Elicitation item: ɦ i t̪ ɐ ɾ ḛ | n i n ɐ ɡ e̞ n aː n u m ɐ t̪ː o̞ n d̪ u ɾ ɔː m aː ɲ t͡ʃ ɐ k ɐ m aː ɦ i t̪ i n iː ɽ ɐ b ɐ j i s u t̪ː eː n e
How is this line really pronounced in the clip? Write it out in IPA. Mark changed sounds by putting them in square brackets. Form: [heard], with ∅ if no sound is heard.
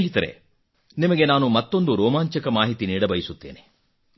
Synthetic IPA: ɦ i t̪ ɐ ɾ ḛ | n i [m] ɐ ɡ e̞ n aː n u m ɐ t̪ː o̞ n d̪ u ɾ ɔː m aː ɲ t͡ʃ ɐ k ɐ m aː ɦ i t̪ i n iː ɽ ɐ b ɐ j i s u t̪ː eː n e